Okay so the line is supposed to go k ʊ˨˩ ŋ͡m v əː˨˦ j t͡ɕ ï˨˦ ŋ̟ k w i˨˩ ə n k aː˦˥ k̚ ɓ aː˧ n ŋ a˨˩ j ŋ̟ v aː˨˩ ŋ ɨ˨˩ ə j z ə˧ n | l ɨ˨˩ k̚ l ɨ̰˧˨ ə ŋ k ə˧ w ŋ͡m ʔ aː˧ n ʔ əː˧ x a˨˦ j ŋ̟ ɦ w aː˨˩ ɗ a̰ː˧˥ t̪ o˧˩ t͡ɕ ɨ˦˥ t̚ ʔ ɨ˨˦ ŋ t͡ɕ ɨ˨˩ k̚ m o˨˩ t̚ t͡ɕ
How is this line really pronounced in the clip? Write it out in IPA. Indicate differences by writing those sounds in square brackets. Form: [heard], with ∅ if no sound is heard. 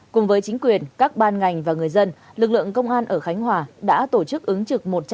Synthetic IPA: k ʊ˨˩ ŋ͡m v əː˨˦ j t͡ɕ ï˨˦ ŋ̟ k w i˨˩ ə n k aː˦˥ k̚ ɓ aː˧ n ŋ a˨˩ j ŋ̟ v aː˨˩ ŋ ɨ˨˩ ə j z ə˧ n | l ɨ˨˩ k̚ l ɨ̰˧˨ ə ŋ k ə˧ w ŋ͡m ʔ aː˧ n ʔ [əː˧˩] x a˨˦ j ŋ̟ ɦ w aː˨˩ ɗ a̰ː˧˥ t̪ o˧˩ t͡ɕ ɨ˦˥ [k̚] ʔ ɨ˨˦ ŋ t͡ɕ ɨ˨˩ k̚ m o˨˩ t̚ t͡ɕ